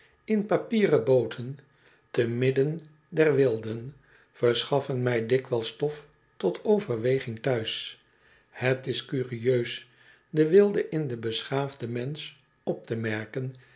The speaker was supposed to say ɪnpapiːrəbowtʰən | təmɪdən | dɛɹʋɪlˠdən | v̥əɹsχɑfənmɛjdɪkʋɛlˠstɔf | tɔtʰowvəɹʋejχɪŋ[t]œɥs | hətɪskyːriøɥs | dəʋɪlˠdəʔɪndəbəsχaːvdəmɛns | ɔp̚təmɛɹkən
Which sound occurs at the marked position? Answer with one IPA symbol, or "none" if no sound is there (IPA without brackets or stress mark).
t